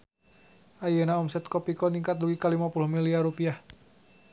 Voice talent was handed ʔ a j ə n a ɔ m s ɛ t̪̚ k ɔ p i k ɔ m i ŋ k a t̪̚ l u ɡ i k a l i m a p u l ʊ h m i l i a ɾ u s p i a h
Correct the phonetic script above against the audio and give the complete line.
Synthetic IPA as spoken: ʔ a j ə n a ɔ m s ɛ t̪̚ k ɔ p i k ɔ n i ŋ k a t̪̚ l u ɡ i k a l i m a p u l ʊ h m i l i a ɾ u p i a h

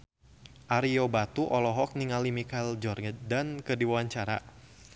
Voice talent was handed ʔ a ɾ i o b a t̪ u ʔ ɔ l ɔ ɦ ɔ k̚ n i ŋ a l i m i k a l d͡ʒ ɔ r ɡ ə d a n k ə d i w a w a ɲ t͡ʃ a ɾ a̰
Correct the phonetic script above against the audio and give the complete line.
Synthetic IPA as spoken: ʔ a ɾ i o b a t̪ u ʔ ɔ l ɔ ɦ ɔ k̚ n i ŋ a l i m i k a l d͡ʒ ɔ r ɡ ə d a n k ə d i w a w a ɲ t͡ʃ a ɾ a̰

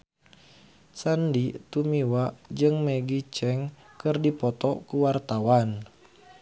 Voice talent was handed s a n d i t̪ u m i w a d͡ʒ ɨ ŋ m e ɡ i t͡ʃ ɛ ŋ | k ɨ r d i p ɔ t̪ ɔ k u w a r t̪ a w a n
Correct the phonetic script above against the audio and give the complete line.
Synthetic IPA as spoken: s a n d i t̪ u m i w a d͡ʒ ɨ ŋ m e ɡ i t͡ʃ ɛ ŋ | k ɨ r d i p ɔ t̪ ɔ k u w a r t̪ a w a n

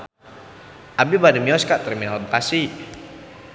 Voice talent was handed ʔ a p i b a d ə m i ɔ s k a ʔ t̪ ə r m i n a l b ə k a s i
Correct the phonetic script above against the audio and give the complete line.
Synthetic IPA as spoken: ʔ a b i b a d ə m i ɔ s k a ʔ t̪ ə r m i n a l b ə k a s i

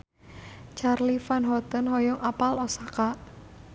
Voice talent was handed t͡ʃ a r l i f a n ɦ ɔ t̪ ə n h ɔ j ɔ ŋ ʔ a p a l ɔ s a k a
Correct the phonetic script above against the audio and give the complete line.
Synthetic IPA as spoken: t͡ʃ a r l i f a n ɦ ɔ t̪ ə n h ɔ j ɔ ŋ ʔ a p a l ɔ s a k a

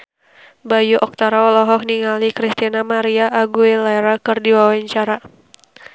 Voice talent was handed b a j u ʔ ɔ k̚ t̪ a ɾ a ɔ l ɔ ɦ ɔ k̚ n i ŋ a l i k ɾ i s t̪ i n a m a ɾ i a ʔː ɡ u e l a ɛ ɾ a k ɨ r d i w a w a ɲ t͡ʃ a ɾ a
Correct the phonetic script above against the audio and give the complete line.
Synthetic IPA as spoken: b a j u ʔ ɔ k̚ t̪ a ɾ a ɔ l ɔ ɦ ɔ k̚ n i ŋ a l i k ɾ i s t̪ i n a m a ɾ i a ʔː ɡ u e l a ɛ ɾ a k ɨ r d i w a w a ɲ t͡ʃ a ɾ a

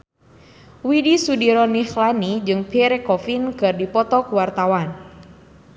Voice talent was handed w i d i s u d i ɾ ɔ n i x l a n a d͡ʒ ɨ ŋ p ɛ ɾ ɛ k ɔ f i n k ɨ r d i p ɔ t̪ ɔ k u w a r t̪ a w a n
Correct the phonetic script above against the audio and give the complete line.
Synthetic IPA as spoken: w i d i s u d i ɾ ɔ n i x l a n i d͡ʒ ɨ ŋ p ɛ ɾ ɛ k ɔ f i n k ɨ r d i p ɔ t̪ ɔ k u w a r t̪ a w a n

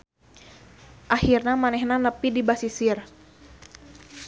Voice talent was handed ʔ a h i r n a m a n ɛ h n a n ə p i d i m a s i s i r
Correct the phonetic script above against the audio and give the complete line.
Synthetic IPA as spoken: ʔ a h i r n a m a n ɛ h n a n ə p i d i b a s i s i r

